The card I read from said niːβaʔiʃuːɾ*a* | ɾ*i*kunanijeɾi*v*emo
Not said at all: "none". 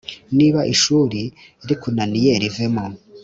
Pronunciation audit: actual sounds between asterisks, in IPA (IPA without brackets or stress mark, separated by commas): i, i, v